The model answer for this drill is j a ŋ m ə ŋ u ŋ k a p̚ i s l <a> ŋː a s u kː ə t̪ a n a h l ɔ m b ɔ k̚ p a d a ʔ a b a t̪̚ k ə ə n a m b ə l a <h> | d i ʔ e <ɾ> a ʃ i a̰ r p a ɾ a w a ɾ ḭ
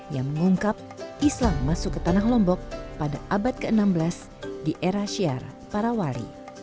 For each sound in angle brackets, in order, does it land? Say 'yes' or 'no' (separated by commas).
yes, no, yes